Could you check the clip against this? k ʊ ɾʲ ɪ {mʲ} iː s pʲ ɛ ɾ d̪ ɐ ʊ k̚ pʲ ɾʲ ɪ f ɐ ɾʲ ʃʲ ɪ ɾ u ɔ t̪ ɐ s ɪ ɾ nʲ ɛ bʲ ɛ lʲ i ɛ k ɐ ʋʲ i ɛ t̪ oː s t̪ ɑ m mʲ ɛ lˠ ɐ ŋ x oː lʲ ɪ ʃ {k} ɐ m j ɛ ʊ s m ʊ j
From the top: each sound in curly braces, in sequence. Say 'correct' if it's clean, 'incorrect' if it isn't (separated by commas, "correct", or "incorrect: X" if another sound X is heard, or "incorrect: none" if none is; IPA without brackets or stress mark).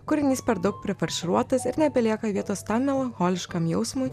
incorrect: nʲ, correct